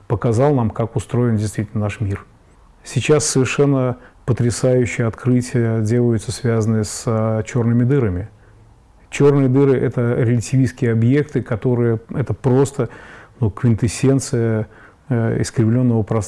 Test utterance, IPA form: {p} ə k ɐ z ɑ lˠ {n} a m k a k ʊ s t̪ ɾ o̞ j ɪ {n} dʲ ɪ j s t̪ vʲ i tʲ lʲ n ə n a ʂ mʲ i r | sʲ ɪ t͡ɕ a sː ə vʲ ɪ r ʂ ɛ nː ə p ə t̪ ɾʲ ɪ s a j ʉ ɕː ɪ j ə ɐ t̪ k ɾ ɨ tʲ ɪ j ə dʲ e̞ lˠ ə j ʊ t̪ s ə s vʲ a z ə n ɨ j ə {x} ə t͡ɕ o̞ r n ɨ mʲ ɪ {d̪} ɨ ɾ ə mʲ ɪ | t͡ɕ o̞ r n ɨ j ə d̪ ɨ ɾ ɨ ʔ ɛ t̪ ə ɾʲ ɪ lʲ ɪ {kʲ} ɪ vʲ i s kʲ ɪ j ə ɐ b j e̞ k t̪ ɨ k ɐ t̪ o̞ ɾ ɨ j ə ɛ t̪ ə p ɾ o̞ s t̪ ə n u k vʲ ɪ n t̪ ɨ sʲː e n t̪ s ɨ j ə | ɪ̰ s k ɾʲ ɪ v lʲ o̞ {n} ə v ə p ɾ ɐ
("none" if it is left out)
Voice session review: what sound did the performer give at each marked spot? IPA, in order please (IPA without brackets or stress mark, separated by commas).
p, n, n, s, d̪, tʲ, nː